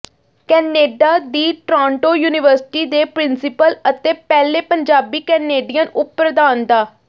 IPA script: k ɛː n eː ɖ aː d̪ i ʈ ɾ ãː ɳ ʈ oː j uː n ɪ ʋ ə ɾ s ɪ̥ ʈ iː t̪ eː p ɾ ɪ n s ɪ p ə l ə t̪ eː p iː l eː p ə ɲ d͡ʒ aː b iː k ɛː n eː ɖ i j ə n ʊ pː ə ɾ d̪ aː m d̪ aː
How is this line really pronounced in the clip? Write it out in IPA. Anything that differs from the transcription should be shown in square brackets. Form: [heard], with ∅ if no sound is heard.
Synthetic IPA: k ɛː n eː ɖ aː d̪ [iː] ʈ ɾ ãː ɳ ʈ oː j uː n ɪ ʋ ə ɾ s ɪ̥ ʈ iː [d̪] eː p ɾ ɪ n s ɪ p ə l ə t̪ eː p [ɛː] l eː p ə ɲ d͡ʒ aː b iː k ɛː n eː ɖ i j ə n ʊ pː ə ɾ d̪ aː [n] d̪ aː